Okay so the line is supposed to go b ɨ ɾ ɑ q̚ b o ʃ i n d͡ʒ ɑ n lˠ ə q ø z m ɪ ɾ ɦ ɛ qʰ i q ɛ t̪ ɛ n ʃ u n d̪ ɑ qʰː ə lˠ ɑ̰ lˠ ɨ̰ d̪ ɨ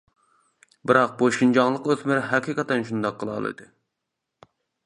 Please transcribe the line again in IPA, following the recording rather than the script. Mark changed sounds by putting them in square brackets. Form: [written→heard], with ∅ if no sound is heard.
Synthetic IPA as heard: b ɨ ɾ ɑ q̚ b o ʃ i n d͡ʒ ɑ [n→ŋ] lˠ ə q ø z m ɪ ɾ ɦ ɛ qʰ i q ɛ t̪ ɛ n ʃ u n d̪ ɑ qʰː ə lˠ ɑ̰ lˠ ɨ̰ d̪ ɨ